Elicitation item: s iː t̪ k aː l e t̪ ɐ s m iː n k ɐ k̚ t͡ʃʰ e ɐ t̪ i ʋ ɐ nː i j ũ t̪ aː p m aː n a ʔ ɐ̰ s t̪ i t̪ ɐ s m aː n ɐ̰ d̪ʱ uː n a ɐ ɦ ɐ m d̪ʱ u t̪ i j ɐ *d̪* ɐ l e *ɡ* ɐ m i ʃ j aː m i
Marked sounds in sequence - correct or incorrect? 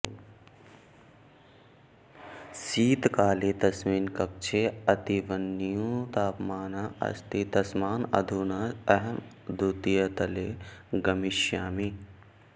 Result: incorrect, correct

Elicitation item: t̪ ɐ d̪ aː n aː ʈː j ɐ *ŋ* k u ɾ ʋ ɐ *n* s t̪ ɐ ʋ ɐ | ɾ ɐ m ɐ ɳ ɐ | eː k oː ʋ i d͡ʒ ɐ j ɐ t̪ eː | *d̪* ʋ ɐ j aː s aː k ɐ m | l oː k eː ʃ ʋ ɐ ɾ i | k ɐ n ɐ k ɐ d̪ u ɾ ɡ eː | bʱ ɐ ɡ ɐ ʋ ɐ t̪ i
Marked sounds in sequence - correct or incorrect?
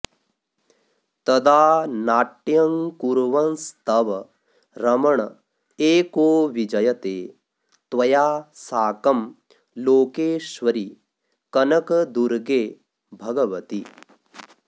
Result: correct, correct, incorrect

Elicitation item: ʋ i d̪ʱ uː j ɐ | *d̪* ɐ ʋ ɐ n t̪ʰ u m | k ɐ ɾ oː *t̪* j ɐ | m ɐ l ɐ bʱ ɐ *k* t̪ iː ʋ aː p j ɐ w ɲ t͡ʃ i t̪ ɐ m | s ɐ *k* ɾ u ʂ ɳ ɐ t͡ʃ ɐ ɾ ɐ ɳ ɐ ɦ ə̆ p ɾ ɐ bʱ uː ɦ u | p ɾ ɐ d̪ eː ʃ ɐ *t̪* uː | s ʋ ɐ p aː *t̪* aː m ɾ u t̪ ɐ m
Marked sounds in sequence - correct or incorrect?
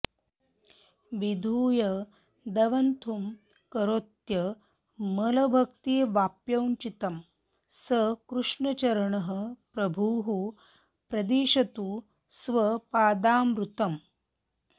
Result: correct, correct, correct, correct, correct, incorrect

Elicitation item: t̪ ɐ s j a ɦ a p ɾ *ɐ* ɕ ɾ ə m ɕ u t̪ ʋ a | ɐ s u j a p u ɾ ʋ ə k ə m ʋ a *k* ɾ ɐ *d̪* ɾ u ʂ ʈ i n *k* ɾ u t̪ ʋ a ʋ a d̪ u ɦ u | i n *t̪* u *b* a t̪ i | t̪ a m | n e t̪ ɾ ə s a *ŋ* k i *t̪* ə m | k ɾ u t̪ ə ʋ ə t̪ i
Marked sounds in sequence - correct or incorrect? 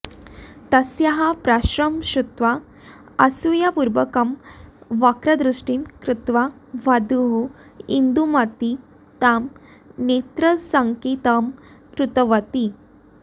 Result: incorrect, correct, correct, correct, incorrect, incorrect, correct, correct

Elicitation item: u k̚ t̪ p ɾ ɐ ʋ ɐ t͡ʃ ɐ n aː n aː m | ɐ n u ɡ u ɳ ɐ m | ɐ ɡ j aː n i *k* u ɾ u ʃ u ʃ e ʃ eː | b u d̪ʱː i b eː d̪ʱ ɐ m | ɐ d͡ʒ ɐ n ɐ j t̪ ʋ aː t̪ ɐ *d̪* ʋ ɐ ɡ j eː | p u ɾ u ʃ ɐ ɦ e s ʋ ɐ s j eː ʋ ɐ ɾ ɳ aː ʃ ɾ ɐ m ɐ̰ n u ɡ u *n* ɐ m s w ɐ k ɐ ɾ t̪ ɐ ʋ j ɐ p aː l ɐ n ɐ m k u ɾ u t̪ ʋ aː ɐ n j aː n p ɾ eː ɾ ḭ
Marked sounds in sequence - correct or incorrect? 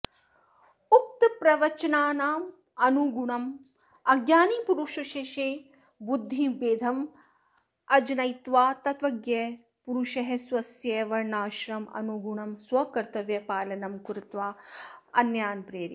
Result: incorrect, incorrect, incorrect

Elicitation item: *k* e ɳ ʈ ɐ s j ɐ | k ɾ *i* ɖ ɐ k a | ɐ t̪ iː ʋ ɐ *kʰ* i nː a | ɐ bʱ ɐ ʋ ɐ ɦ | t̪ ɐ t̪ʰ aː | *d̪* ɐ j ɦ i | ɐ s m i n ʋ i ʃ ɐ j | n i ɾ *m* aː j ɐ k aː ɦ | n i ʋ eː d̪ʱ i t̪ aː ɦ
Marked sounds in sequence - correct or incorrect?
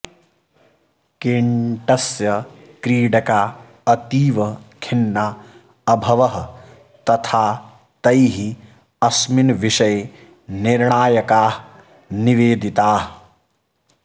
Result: correct, incorrect, correct, incorrect, incorrect

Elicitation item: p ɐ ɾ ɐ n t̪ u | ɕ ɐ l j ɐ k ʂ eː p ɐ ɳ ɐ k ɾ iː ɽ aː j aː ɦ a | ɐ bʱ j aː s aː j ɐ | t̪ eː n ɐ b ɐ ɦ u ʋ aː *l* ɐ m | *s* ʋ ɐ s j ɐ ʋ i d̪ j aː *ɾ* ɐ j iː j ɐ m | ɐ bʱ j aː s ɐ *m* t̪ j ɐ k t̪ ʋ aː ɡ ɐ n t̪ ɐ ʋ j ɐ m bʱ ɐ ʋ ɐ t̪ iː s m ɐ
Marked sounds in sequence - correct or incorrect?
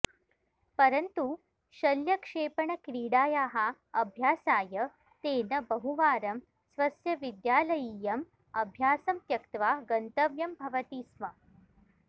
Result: incorrect, correct, incorrect, correct

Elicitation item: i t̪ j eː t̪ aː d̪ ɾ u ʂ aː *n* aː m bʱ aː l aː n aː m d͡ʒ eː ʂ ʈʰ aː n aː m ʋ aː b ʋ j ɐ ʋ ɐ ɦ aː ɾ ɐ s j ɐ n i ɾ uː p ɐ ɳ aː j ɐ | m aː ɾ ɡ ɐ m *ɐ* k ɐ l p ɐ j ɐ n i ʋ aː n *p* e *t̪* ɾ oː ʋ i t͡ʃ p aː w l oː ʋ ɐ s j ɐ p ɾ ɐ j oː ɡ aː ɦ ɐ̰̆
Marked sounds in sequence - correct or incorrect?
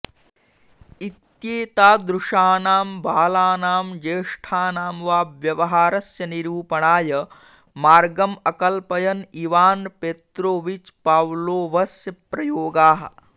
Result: correct, correct, correct, correct

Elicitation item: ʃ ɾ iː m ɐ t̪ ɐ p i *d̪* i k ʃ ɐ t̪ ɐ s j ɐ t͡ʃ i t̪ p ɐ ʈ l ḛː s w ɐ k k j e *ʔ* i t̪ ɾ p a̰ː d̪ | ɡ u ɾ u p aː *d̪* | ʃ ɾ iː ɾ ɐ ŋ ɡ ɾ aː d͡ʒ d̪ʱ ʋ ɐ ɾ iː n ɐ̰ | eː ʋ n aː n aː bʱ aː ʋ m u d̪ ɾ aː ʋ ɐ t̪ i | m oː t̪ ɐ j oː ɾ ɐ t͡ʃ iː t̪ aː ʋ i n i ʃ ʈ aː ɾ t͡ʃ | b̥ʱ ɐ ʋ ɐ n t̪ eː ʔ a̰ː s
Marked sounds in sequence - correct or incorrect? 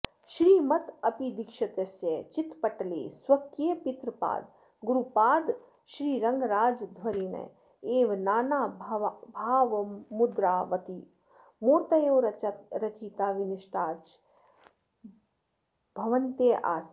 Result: correct, incorrect, correct

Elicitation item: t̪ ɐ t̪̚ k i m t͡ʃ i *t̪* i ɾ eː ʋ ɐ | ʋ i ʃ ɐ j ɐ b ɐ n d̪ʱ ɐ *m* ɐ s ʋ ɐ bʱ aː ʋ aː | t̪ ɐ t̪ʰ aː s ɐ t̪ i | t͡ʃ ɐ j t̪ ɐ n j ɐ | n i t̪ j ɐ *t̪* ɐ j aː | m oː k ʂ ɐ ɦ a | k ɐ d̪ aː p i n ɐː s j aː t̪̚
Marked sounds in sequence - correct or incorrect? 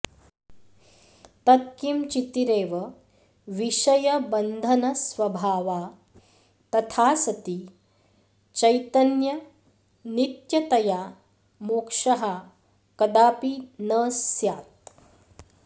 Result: correct, incorrect, correct

